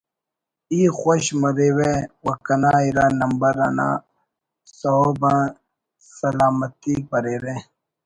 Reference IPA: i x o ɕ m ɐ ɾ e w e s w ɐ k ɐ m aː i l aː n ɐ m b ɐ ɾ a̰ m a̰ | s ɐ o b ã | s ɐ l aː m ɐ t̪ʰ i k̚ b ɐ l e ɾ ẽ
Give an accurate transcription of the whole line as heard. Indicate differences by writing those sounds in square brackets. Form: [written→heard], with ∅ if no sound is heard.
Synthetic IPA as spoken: i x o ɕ m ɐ ɾ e w e [s→∅] w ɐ k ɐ [m→n] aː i [l→ɾ] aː n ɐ m b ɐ ɾ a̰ [m→n] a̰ | s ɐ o b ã | s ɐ l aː m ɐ [t̪ʰ→t̪] i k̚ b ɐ [l→ɾ] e ɾ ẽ